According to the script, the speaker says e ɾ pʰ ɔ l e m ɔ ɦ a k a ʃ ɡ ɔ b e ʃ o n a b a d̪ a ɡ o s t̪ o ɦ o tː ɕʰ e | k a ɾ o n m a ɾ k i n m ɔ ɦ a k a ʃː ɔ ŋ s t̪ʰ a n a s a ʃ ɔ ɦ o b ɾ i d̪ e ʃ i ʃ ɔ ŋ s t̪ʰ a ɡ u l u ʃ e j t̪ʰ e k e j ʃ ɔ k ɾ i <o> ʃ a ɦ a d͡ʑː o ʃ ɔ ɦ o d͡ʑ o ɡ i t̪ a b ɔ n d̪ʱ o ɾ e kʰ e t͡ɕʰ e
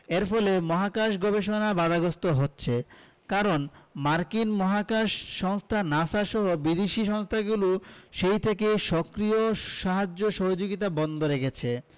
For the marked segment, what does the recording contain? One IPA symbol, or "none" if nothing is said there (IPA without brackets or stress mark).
o